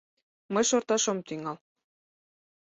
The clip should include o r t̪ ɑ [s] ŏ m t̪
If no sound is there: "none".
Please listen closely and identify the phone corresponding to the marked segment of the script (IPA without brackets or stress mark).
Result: ʃ